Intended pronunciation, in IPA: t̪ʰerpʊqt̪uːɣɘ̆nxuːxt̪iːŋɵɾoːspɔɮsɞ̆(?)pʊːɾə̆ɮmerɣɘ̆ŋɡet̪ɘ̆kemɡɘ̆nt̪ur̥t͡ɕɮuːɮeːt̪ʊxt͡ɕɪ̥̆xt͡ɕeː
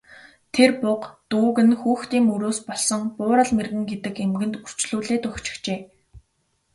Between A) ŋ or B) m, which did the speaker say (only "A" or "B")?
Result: A